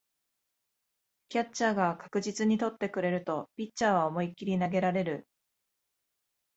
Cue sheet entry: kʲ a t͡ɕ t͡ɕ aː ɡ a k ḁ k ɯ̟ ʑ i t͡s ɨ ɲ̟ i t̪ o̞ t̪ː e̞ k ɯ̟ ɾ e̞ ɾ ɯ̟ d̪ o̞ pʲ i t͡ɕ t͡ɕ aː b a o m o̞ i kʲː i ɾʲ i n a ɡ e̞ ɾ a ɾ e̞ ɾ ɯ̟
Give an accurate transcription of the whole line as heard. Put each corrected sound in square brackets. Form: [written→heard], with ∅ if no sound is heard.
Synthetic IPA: kʲ a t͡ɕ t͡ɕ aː ɡ a k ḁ k ɯ̟ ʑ i t͡s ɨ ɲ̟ i t̪ o̞ t̪ː e̞ k ɯ̟ ɾ e̞ ɾ ɯ̟ [d̪→t̪] o̞ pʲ i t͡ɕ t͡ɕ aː [b→β] a o m o̞ i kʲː i ɾʲ i n a ɡ e̞ ɾ a ɾ e̞ ɾ ɯ̟